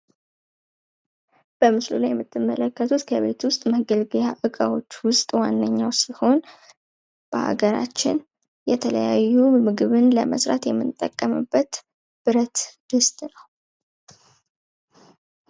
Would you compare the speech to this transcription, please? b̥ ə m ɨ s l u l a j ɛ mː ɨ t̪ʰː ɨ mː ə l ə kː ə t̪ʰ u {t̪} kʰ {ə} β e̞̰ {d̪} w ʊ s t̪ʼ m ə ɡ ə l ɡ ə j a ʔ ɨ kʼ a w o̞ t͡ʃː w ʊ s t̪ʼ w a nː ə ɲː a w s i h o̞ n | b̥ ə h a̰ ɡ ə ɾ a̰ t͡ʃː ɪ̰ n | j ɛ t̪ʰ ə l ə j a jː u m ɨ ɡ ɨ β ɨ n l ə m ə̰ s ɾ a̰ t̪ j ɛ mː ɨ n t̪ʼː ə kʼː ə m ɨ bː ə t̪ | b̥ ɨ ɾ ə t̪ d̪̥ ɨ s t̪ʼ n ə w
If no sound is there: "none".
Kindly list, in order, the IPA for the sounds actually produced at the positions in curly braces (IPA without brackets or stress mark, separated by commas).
t̪, ə, t̪